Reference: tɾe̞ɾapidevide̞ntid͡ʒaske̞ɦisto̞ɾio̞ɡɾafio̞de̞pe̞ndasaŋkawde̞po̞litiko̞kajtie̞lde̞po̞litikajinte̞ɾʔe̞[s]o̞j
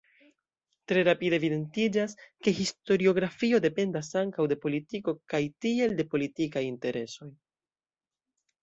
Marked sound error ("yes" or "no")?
no